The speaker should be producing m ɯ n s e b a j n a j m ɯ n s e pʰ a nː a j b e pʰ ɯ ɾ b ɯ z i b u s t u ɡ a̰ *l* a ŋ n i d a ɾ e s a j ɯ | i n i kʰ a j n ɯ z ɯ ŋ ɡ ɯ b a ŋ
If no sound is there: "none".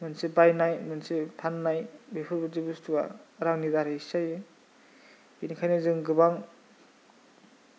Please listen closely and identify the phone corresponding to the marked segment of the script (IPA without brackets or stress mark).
ɾ